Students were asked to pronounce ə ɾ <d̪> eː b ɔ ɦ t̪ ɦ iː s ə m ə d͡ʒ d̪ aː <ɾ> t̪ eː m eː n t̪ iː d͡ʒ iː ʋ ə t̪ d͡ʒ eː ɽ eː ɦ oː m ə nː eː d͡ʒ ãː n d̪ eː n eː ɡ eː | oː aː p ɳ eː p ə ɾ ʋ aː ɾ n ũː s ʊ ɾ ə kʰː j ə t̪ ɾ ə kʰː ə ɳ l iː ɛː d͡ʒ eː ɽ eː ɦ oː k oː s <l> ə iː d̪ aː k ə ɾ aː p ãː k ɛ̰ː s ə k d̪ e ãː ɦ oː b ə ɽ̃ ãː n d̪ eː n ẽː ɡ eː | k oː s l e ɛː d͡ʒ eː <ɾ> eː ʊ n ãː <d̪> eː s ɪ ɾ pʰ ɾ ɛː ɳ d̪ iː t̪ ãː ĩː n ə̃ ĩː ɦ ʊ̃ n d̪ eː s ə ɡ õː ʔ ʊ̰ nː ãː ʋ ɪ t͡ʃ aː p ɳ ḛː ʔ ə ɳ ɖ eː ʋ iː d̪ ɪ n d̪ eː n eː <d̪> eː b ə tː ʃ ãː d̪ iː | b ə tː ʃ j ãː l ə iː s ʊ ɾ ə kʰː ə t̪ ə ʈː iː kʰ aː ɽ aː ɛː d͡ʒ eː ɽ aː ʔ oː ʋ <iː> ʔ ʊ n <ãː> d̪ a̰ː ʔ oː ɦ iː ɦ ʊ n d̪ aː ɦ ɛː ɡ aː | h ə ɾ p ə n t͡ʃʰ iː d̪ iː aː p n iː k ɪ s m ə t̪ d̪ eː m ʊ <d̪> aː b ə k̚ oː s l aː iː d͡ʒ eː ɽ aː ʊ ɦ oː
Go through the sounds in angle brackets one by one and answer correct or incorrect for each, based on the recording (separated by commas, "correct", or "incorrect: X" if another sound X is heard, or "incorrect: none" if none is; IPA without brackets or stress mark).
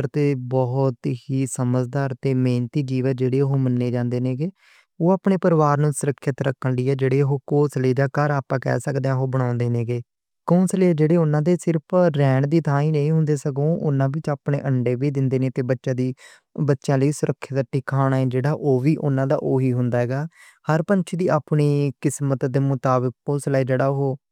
incorrect: t̪, correct, correct, incorrect: ɽ, correct, incorrect: t̪, correct, correct, incorrect: t̪